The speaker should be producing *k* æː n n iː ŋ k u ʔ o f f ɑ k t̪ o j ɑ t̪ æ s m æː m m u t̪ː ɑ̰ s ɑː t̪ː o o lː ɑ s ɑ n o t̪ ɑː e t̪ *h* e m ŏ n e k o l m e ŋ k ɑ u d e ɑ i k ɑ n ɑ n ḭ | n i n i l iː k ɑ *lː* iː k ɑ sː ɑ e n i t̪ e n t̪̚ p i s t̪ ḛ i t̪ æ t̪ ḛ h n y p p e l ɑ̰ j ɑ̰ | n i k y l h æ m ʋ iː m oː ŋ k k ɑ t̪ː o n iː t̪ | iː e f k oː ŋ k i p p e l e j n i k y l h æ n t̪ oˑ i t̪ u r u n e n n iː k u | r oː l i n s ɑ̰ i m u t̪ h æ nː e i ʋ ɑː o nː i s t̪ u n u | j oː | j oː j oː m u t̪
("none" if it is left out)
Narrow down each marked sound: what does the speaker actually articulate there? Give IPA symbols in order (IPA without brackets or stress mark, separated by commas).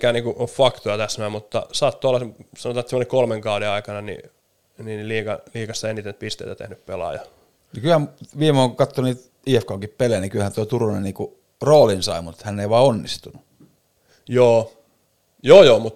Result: k, s, l